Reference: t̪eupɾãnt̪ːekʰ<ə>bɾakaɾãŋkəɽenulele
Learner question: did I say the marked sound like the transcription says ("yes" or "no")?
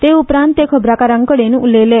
yes